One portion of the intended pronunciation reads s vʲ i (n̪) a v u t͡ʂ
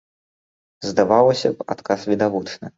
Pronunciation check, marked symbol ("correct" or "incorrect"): incorrect